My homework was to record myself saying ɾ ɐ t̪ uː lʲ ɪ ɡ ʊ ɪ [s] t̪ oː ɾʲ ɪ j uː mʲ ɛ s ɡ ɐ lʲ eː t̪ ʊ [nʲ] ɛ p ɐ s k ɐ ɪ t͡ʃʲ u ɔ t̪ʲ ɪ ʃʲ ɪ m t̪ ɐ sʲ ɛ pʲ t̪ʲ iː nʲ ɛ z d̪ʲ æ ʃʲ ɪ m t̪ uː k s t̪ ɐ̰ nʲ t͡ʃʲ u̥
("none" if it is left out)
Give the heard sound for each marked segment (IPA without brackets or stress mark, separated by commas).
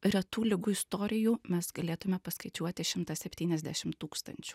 s, mʲ